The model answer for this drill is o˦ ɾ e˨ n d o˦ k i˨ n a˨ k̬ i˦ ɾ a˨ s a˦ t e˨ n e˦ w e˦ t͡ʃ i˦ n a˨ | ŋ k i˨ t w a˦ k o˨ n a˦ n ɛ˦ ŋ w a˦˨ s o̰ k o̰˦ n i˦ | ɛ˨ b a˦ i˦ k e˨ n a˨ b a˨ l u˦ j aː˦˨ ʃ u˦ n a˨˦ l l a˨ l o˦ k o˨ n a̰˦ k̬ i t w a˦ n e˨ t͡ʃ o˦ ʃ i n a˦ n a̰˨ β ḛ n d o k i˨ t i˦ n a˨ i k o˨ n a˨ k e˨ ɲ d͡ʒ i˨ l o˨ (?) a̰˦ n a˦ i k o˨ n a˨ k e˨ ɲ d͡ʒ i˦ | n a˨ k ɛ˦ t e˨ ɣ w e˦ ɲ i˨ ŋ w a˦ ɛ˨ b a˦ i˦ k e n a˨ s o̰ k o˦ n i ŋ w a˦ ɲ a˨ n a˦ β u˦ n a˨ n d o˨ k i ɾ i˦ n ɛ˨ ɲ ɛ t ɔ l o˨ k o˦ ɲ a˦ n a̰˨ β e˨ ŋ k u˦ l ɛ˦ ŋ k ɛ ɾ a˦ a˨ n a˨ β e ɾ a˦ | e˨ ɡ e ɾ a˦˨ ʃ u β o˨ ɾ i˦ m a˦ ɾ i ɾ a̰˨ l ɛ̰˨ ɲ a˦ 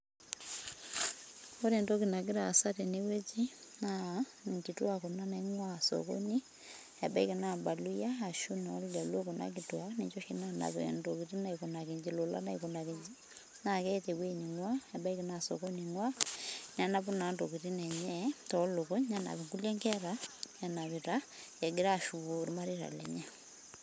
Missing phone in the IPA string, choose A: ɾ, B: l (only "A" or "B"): B